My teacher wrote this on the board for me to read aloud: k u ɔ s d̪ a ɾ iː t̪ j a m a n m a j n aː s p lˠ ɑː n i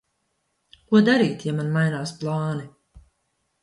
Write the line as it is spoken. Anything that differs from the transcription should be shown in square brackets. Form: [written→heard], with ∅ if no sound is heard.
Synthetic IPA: k u ɔ [s→∅] d̪ a ɾ iː t̪ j a m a n m a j n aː s p lˠ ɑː n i